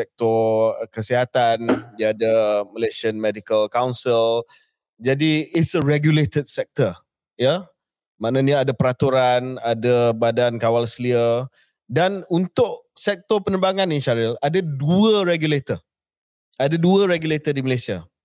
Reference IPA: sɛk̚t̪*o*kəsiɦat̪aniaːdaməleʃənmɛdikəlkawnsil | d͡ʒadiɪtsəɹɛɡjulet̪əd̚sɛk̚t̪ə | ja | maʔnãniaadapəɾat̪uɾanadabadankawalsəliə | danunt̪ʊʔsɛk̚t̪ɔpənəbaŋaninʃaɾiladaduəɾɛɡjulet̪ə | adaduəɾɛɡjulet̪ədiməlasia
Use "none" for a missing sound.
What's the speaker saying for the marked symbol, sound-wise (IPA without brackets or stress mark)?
ɔ